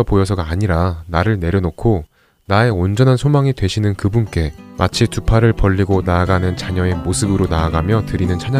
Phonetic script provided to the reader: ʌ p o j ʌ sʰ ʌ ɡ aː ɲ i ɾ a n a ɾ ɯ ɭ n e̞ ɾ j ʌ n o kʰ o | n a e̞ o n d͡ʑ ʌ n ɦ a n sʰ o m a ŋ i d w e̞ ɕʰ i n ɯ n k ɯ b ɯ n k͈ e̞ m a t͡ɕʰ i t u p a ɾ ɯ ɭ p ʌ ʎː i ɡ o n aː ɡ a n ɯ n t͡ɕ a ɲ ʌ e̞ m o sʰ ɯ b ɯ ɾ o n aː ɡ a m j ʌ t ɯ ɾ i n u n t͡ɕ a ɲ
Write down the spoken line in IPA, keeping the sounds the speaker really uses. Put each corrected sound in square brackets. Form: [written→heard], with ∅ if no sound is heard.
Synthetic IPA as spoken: ʌ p o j ʌ sʰ ʌ ɡ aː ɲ i ɾ a n a ɾ ɯ ɭ n e̞ ɾ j ʌ n o kʰ o | n a e̞ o n d͡ʑ ʌ n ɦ a n sʰ o m a ŋ i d w e̞ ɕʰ i n ɯ n k ɯ b [ɯ→u] n k͈ e̞ m a t͡ɕʰ i t u [p→pʰ] a ɾ ɯ ɭ p ʌ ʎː i ɡ o n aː ɡ a n ɯ n t͡ɕ a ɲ ʌ e̞ m o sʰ ɯ b ɯ ɾ o n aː ɡ a m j ʌ t ɯ ɾ i n [u→ɯ] n [t͡ɕ→t͡ɕʰ] a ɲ